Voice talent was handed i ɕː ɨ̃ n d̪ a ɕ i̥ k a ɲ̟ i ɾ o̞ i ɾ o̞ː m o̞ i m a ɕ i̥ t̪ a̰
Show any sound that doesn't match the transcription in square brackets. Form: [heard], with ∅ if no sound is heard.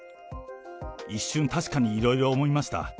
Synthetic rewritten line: i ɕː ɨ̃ n [t̪] a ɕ i̥ k a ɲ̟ [iː] ɾ o̞ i ɾ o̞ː m o̞ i m a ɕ i̥ t̪ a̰

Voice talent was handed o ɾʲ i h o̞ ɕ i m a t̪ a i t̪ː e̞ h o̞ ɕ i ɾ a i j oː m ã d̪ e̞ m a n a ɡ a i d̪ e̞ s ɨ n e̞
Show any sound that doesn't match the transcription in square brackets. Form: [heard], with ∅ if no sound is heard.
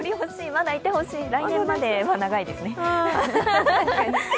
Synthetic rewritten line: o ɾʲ i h o̞ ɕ [iː] m a [d̪] a i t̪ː e̞ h o̞ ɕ [iː] ɾ a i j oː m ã d̪ e̞ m a n a ɡ a i d̪ e̞ s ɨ n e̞

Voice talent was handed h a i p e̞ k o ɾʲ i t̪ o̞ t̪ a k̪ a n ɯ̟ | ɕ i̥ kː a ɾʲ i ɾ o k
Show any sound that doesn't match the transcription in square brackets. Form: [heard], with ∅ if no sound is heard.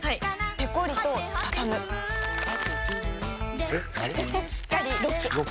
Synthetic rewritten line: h a i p e̞ k o ɾʲ i t̪ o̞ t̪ a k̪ a [m] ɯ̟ | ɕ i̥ kː a ɾʲ i ɾ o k

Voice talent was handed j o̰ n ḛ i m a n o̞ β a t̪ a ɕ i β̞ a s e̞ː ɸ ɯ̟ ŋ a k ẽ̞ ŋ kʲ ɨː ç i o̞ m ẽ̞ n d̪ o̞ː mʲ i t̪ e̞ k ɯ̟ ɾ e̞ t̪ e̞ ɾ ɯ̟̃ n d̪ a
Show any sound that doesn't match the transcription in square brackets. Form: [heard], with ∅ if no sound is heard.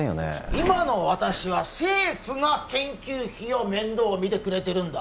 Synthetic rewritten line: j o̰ n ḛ i m a n o̞ β a t̪ a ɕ i β̞ a s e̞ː ɸ ɯ̟ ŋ a k ẽ̞ ŋ kʲ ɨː ç i o̞ m ẽ̞ n d̪ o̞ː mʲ i t̪ e̞ k ɯ̟ ɾ e̞ t̪ e̞ ɾ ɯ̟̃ n d̪ a

